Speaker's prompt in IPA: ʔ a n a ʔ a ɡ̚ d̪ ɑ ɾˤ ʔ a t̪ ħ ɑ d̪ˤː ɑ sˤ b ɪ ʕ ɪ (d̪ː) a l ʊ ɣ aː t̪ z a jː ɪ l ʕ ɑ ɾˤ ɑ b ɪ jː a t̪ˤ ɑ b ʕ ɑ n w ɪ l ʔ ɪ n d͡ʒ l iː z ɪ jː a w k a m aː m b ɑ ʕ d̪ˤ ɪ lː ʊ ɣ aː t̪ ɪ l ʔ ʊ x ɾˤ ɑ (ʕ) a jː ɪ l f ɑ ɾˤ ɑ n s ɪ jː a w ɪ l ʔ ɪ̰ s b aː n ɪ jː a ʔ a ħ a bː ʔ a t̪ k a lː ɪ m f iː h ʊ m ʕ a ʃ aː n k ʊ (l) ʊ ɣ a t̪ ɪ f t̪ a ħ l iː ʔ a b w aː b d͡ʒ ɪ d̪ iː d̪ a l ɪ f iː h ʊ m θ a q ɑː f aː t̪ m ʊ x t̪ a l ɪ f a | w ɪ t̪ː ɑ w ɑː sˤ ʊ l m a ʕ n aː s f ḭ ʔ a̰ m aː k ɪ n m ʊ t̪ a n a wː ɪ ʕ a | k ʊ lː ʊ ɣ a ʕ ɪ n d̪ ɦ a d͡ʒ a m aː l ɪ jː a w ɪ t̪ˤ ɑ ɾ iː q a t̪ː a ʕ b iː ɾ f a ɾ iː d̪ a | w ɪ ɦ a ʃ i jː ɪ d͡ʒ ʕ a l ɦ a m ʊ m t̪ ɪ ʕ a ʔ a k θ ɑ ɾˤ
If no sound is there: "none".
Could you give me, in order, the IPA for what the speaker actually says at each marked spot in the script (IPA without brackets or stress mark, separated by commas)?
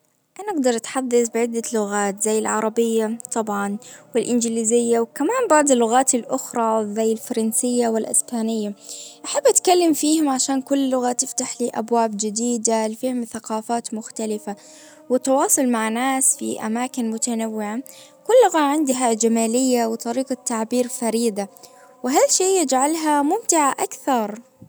d̪ː, z, lː